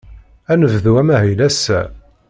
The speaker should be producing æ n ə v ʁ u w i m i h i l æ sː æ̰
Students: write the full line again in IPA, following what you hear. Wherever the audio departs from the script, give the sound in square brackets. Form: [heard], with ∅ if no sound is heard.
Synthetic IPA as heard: æ n ə v [ð] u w [æ] m [æ] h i l æ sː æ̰